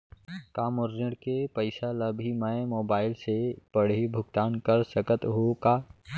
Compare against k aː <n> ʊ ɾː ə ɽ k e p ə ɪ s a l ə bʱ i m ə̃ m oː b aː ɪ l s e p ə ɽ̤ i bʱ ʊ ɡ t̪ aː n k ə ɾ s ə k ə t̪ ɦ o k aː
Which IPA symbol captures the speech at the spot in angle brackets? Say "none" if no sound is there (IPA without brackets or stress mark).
m